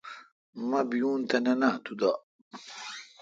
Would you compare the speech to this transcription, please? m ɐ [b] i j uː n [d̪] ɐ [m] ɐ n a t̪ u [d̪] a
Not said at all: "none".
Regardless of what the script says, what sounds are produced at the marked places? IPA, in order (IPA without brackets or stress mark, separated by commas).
b, t̪, n, d̪